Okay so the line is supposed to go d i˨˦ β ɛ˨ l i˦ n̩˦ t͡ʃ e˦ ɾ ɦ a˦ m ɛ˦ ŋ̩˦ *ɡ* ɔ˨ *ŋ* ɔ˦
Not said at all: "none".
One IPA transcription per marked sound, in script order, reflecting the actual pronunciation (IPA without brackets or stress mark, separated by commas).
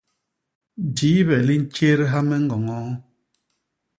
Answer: ɡ, ŋ